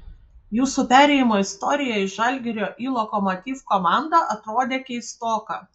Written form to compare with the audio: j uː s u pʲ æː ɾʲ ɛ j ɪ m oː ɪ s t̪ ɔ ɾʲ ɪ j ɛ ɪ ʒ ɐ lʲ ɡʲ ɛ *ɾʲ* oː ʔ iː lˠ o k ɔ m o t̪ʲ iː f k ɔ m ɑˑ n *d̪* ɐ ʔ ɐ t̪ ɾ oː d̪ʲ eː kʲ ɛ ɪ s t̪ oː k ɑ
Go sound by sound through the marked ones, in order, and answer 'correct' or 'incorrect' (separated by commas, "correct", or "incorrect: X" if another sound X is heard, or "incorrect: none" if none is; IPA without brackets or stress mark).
correct, correct